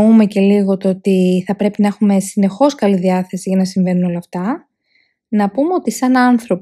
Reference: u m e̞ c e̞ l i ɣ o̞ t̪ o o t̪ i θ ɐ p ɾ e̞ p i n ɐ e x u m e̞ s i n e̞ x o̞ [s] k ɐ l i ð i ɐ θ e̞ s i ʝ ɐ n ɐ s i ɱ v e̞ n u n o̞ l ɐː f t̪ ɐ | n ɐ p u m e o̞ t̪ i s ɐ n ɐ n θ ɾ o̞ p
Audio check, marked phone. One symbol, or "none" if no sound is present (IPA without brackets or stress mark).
s